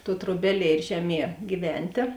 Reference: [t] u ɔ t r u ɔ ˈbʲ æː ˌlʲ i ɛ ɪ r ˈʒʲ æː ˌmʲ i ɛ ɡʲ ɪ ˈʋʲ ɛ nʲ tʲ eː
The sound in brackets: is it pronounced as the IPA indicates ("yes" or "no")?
yes